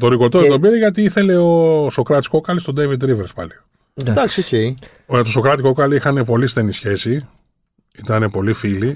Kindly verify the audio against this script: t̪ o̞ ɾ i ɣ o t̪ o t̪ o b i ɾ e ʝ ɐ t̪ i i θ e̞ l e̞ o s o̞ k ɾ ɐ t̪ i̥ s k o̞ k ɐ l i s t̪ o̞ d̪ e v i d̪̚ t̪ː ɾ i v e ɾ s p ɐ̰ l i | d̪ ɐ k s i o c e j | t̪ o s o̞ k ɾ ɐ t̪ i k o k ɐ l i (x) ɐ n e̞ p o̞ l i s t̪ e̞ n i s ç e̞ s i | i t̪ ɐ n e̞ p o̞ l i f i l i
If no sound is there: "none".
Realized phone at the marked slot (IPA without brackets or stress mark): x